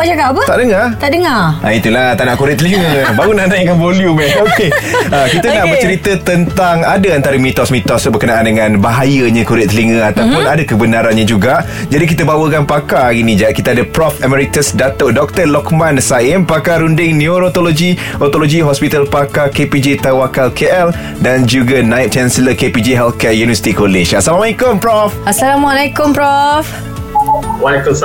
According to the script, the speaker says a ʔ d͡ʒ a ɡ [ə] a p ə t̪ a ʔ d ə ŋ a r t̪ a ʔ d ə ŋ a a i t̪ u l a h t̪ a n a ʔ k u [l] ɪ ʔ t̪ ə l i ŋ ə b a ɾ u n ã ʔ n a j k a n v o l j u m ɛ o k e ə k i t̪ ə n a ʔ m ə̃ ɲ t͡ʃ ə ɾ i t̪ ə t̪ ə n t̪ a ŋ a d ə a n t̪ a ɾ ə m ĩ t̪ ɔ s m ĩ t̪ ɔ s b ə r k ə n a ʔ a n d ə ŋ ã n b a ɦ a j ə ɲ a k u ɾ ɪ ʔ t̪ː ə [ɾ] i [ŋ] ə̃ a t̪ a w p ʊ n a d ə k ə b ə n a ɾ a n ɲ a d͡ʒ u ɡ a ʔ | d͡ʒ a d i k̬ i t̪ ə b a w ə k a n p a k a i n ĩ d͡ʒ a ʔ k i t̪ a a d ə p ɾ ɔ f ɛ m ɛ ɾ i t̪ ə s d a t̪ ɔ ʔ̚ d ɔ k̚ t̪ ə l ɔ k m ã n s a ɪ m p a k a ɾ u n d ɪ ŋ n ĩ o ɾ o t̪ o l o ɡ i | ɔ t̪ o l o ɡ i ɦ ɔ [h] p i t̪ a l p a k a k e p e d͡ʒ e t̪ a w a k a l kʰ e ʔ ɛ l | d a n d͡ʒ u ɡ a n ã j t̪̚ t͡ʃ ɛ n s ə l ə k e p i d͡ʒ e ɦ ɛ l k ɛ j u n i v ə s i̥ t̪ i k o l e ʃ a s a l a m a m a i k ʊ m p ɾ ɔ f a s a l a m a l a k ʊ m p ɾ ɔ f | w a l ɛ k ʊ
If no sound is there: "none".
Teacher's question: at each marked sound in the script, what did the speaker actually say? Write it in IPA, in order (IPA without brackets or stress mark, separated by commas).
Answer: a, ɾ, l, ŋ, s